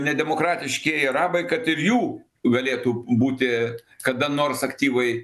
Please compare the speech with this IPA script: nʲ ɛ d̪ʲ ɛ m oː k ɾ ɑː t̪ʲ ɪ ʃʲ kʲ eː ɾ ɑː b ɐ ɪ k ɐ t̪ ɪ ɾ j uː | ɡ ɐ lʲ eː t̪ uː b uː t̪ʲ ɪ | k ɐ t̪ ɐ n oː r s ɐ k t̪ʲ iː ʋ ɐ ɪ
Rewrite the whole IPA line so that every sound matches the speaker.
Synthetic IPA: nʲ ɛ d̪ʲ ɛ m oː k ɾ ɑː t̪ʲ ɪ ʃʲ kʲ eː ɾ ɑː b ɐ ɪ k ɐ t̪ ɪ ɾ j uː | ɡ ɐ lʲ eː t̪ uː b uː t̪ʲ ɪ | k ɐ d̪ ɐ n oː r s ɐ k t̪ʲ iː ʋ ɐ ɪ